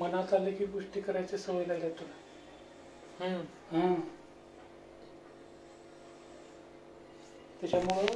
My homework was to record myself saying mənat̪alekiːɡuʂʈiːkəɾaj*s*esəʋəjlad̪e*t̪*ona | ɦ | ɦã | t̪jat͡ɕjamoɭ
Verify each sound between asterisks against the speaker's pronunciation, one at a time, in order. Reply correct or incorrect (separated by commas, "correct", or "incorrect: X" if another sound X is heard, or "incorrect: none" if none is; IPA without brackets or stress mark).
incorrect: t͡s, correct